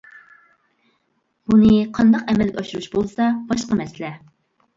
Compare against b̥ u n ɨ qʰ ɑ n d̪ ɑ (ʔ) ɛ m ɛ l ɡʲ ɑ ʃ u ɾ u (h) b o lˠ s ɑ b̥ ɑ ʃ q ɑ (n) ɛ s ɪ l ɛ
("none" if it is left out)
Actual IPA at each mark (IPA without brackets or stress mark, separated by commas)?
q, ʃ, m